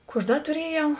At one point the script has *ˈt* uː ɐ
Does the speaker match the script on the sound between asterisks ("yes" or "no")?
no